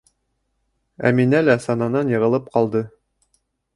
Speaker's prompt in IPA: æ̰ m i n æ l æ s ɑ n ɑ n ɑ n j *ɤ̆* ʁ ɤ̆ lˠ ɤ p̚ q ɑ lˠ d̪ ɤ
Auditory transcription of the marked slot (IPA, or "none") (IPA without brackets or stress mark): ɤ̆